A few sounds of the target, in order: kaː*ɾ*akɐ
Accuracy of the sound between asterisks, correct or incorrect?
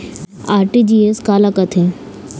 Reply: incorrect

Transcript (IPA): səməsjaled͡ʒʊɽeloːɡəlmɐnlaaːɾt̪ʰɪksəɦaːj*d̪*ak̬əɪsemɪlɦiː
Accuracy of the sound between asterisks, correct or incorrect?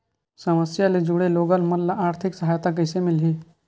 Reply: incorrect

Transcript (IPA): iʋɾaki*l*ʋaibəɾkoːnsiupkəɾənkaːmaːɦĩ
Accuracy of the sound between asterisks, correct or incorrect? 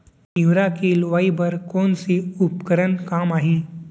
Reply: correct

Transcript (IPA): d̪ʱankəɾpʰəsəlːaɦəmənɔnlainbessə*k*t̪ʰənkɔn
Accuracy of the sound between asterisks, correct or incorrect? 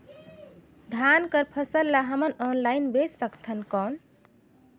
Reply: correct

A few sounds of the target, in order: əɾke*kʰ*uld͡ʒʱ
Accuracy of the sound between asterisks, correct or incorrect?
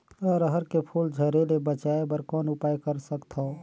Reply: incorrect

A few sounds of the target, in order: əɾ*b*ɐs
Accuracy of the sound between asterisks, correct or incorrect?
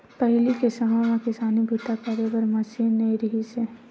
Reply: incorrect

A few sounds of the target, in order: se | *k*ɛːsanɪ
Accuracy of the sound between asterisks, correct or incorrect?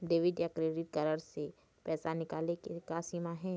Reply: incorrect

